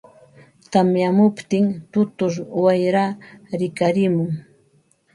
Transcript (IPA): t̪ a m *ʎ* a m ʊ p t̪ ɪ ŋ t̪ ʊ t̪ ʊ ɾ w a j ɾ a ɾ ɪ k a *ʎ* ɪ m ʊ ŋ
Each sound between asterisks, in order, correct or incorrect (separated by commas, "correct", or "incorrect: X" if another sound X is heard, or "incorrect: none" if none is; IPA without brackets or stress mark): incorrect: j, incorrect: ɾ